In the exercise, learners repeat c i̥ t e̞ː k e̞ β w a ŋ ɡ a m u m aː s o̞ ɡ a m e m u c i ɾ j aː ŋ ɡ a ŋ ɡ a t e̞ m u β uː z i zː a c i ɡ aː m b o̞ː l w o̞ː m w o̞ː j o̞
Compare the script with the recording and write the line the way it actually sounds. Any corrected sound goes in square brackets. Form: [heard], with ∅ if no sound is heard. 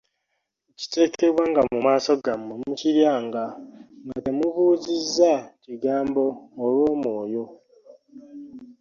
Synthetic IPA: c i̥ t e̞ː k e̞ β w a ŋ ɡ a m u m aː s o̞ ɡ a m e m u c i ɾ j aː ŋ ɡ a ŋ ɡ a t e̞ m u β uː z i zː a c i ɡ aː m b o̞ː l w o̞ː m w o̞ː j o̞